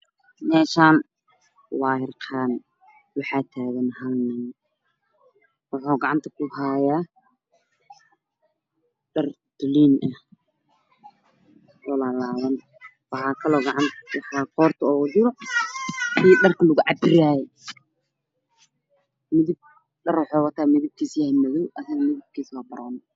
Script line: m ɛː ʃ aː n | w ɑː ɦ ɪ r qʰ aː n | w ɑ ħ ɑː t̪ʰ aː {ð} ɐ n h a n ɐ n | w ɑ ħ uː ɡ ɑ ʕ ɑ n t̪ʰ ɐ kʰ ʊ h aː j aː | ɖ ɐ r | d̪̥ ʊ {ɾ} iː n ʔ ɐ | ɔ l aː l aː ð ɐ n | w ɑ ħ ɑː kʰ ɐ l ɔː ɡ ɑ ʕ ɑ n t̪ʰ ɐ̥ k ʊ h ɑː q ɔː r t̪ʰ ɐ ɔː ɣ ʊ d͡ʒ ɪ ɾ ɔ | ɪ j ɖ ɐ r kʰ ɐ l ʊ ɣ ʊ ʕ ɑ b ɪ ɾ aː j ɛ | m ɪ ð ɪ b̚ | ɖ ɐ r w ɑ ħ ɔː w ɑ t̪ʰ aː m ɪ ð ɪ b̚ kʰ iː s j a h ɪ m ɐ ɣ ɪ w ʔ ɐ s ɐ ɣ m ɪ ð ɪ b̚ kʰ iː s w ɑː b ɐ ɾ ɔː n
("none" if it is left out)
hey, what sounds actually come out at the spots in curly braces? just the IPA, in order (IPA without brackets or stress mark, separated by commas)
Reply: ɣ, l